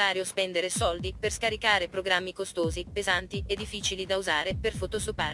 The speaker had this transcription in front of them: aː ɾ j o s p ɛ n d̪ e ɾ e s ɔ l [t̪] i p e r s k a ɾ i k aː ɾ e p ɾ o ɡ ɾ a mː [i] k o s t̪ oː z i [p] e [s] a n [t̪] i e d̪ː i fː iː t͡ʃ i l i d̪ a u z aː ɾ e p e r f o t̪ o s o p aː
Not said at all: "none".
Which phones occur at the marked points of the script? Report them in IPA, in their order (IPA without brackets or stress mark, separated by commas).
d̪, i, p, z, t̪